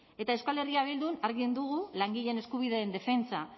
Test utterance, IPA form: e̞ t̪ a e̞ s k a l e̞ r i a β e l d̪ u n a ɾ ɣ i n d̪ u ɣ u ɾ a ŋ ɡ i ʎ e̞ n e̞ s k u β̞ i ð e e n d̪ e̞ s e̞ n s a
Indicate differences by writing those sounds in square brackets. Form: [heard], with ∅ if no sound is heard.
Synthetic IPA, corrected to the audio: e̞ t̪ a e̞ s k a l e̞ r i a β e l d̪ u n a ɾ ɣ i n d̪ u ɣ u [l] a ŋ ɡ i ʎ e̞ n e̞ s k u β̞ i ð e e n d̪ e̞ [f] e̞ n [t͡s] a